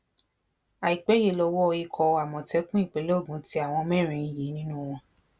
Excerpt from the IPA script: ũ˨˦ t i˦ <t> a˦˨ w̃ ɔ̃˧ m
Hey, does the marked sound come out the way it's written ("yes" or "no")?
no